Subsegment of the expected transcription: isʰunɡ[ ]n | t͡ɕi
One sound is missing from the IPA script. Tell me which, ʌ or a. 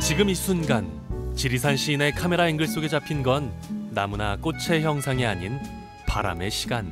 a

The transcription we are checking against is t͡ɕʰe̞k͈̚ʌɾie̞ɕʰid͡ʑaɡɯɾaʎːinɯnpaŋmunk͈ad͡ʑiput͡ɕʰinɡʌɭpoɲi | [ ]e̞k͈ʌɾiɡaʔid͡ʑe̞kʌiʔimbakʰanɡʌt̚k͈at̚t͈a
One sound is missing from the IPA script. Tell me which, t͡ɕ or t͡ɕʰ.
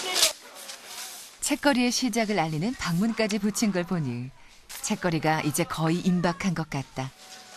t͡ɕʰ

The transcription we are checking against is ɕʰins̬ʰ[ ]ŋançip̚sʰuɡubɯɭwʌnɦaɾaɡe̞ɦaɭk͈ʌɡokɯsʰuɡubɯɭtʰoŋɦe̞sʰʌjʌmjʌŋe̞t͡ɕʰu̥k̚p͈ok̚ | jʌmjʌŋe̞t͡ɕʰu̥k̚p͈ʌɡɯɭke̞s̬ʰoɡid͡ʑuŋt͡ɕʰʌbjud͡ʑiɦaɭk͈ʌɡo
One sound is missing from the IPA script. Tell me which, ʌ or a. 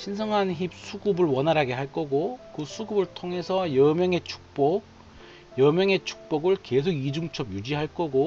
ʌ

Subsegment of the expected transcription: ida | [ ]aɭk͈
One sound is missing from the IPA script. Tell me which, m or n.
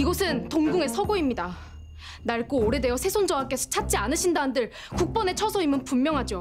n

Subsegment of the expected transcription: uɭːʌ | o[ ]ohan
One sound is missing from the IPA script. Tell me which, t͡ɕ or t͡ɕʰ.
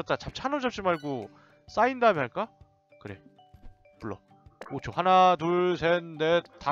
t͡ɕʰ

